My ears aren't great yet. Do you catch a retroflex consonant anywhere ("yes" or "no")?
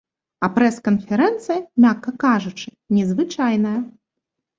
yes